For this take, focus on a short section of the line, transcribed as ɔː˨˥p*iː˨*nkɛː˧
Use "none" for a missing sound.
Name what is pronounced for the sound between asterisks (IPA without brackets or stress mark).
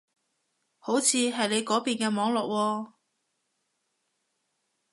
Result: iː˨